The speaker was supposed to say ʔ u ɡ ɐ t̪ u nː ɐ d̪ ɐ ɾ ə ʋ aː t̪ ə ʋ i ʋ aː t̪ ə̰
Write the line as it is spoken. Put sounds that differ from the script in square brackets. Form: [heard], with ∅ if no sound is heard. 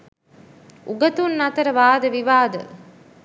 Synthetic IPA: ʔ u ɡ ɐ t̪ u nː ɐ [t̪] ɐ ɾ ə ʋ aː [d̪] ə ʋ i ʋ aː [d̪] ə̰